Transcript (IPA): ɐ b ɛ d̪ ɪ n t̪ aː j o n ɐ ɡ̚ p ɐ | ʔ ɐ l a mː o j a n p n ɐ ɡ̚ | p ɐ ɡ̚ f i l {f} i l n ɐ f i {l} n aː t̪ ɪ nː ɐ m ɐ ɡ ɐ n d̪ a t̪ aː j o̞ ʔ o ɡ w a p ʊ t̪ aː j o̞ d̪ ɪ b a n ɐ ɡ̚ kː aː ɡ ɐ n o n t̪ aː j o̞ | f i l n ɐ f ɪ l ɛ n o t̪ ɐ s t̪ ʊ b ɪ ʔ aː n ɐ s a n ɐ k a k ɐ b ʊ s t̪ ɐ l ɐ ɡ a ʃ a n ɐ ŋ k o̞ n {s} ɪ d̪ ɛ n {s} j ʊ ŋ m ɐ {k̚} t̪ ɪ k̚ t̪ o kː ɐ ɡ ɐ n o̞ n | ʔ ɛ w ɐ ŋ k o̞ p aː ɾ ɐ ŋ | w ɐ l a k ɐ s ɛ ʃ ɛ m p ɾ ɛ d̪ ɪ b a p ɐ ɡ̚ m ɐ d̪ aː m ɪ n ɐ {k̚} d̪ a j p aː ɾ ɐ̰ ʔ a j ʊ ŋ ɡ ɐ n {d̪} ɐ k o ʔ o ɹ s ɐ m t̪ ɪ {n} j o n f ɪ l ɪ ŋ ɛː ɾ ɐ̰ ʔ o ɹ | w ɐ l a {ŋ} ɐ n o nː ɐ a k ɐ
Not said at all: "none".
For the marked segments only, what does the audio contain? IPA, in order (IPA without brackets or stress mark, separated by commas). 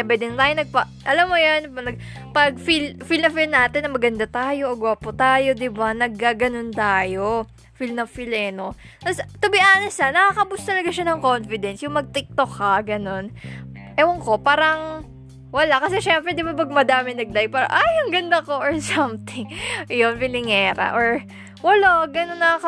f, l, f, s, ɡ̚, ɡ̚, d̪, ŋ, ɡ